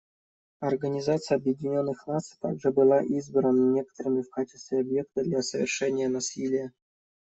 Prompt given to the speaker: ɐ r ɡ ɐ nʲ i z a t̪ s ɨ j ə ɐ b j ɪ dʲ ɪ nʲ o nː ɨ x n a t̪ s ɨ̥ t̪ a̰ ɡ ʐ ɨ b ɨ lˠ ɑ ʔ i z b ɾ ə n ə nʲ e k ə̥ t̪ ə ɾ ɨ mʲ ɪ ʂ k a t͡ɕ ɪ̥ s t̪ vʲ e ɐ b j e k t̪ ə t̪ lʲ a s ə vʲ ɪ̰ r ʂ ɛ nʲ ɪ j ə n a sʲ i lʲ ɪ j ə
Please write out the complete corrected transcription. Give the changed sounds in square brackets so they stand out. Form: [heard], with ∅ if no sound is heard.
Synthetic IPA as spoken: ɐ r ɡ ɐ nʲ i z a t̪ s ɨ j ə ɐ b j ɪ dʲ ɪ nʲ o nː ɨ x n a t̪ s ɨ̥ t̪ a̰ ɡ ʐ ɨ b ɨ lˠ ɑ ʔ i z b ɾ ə n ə nʲ e k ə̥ t̪ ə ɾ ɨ mʲ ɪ [f] k a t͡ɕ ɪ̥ s t̪ vʲ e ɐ b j e k t̪ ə [d̪] lʲ a s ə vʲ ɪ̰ r ʂ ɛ nʲ ɪ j ə n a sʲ i lʲ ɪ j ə

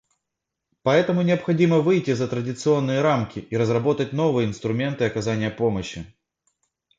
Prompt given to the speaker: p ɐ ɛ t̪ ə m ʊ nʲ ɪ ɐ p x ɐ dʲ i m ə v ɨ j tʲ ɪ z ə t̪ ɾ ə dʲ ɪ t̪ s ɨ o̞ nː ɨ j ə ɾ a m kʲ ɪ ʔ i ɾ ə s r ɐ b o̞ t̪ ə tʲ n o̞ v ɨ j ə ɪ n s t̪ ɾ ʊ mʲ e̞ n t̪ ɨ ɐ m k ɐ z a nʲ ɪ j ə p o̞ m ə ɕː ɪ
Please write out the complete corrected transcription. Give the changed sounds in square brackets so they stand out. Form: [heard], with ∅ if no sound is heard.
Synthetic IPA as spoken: p ɐ ɛ t̪ ə m ʊ nʲ ɪ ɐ p x ɐ dʲ i m ə v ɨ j tʲ ɪ z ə t̪ ɾ ə dʲ ɪ t̪ s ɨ o̞ nː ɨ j ə ɾ a m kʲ ɪ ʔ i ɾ ə [z] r ɐ b o̞ t̪ ə tʲ n o̞ v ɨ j ə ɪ n s t̪ ɾ ʊ mʲ e̞ n t̪ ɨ ɐ [∅] k ɐ z a nʲ ɪ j ə p o̞ m ə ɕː ɪ

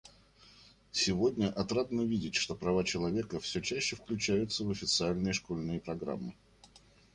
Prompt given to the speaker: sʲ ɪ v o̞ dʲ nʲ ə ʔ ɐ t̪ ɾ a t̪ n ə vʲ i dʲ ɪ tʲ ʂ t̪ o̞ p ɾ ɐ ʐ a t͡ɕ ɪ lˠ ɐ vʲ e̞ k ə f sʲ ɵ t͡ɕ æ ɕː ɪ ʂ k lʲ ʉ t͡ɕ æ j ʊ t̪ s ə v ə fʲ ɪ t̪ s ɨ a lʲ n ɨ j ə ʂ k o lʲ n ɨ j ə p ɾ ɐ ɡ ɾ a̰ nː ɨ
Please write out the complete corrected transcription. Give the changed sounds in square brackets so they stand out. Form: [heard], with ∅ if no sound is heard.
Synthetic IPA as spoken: sʲ ɪ v o̞ dʲ nʲ ə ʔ ɐ t̪ ɾ a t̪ n ə vʲ i dʲ ɪ tʲ ʂ t̪ o̞ p ɾ ɐ [v] a t͡ɕ ɪ lˠ ɐ vʲ e̞ k ə f sʲ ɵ t͡ɕ æ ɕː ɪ [f] k lʲ ʉ t͡ɕ æ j ʊ t̪ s ə v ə fʲ ɪ t̪ s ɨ a lʲ n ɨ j ə ʂ k o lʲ n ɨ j ə p ɾ ɐ ɡ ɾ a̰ [mː] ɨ

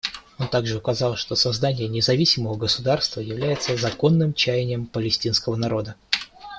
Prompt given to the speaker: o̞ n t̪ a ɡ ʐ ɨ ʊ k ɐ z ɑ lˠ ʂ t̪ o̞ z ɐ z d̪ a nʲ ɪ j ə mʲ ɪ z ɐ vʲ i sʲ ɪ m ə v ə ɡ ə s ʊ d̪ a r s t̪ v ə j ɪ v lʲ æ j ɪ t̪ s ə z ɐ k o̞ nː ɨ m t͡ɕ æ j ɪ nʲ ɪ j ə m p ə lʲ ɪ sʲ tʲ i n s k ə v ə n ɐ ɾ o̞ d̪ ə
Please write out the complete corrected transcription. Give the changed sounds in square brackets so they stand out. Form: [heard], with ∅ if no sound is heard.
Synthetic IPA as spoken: o̞ n t̪ a ɡ ʐ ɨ ʊ k ɐ z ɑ lˠ ʂ t̪ o̞ [s] ɐ z d̪ a nʲ ɪ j ə [nʲ] ɪ z ɐ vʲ i sʲ ɪ m ə v ə ɡ ə s ʊ d̪ a r s t̪ v ə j ɪ v lʲ æ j ɪ t̪ s ə z ɐ k o̞ nː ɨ m t͡ɕ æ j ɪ nʲ ɪ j ə m p ə lʲ ɪ sʲ tʲ i n s k ə v ə n ɐ ɾ o̞ d̪ ə

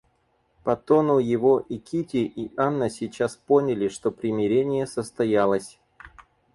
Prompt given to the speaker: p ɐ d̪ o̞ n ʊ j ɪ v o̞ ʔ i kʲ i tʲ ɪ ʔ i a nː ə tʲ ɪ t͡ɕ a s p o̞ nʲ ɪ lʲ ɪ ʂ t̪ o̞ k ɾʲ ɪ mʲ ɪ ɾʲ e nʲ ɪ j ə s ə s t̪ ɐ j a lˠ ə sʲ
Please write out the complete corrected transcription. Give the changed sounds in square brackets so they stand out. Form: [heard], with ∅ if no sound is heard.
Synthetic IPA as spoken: p ɐ [t̪] o̞ n ʊ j ɪ v o̞ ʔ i kʲ i tʲ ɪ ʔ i a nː ə [sʲ] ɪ t͡ɕ a s p o̞ nʲ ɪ lʲ ɪ ʂ t̪ o̞ [p] ɾʲ ɪ mʲ ɪ ɾʲ e nʲ ɪ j ə s ə s t̪ ɐ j a lˠ ə sʲ

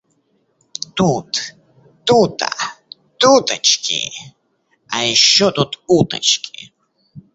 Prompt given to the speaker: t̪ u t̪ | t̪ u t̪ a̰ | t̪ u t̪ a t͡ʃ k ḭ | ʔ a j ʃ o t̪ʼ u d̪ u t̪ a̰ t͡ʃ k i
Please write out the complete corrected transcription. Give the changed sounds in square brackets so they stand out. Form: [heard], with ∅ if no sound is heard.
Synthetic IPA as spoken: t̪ u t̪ | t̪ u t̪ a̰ | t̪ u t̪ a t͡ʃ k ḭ | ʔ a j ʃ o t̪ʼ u [t̪] u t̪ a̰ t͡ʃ k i

